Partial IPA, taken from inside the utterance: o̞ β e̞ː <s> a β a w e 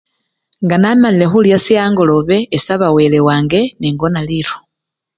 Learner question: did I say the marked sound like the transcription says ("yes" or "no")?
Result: yes